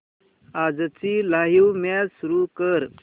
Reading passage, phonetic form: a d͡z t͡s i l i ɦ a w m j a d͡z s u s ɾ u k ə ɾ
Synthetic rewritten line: a d͡z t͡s i l a ɦ i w m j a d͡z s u ɾ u k ə ɾ